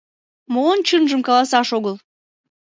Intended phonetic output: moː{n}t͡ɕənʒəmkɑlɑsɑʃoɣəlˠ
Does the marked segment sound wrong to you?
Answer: no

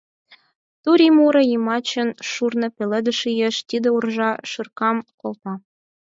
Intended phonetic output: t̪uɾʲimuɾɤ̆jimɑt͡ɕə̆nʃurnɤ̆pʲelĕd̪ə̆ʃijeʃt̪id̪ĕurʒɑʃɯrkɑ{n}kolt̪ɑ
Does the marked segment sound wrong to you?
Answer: yes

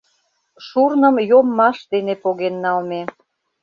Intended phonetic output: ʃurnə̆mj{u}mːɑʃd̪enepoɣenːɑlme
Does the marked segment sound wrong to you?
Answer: yes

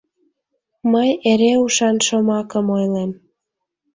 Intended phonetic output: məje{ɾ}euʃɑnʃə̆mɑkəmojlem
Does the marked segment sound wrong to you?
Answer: no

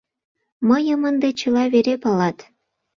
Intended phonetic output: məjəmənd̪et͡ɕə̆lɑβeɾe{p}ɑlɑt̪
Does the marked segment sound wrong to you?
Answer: no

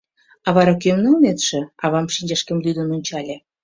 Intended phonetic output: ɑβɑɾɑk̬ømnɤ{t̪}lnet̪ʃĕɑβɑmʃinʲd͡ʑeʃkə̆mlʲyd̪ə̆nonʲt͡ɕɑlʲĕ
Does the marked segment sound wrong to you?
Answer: yes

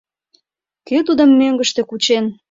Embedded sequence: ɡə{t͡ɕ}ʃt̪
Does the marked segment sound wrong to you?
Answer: yes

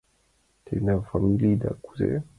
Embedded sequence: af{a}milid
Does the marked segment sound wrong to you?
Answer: no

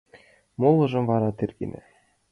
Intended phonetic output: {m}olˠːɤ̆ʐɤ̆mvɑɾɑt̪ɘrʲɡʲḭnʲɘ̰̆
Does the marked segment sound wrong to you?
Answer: no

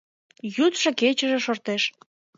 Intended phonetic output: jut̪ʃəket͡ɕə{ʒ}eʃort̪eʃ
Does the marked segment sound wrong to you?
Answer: no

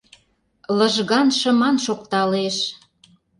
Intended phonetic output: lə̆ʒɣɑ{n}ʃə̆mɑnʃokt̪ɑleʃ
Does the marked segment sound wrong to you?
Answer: no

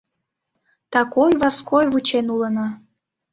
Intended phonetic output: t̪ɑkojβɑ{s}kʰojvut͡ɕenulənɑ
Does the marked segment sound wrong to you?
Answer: no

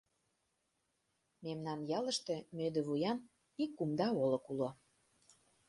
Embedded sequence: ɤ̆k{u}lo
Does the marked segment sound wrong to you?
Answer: no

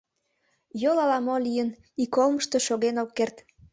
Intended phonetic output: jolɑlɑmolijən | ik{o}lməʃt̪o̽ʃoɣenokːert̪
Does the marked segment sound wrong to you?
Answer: no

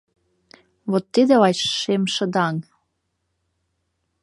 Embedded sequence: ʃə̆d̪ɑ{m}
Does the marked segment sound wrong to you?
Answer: yes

